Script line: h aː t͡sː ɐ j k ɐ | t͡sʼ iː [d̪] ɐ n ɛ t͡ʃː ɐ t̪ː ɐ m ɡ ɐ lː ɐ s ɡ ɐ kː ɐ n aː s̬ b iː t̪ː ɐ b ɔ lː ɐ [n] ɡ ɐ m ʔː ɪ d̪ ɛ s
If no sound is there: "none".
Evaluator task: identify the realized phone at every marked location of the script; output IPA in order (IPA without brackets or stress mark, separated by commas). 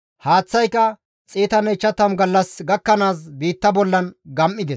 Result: t̪, n